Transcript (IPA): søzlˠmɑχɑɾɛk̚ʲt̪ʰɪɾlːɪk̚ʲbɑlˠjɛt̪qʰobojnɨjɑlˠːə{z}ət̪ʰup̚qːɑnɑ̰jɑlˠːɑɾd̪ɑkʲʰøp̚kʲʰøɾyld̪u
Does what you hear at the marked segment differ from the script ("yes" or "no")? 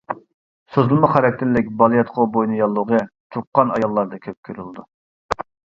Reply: yes